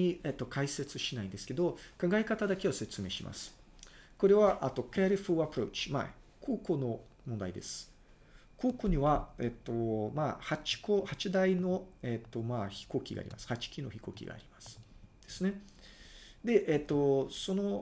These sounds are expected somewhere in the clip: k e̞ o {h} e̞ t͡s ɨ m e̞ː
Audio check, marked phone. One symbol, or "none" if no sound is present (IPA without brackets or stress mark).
s